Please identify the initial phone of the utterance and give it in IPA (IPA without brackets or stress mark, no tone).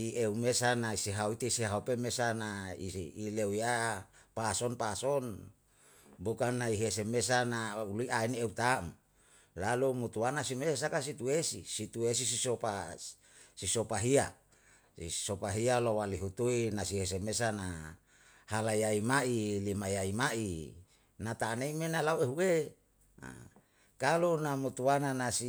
i